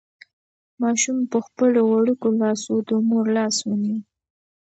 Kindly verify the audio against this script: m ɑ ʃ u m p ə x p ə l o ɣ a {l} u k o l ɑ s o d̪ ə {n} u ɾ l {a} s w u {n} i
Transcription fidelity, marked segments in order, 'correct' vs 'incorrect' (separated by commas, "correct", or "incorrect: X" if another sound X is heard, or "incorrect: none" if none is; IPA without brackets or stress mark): incorrect: ɽ, incorrect: m, incorrect: ɑ, correct